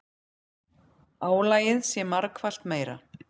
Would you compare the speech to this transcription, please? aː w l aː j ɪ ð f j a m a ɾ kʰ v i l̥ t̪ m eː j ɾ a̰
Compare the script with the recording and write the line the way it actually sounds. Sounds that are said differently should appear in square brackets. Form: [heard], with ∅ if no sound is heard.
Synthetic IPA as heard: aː w l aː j ɪ ð [s] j [ɛ] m a ɾ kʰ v [a] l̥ t̪ m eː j ɾ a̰